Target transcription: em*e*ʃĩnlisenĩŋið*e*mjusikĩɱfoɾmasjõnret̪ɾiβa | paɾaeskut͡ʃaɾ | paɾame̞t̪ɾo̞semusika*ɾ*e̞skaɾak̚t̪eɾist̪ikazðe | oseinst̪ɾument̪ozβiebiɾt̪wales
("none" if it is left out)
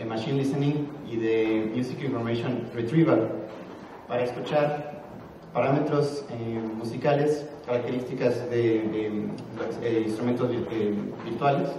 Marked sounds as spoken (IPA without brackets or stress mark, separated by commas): a, e, l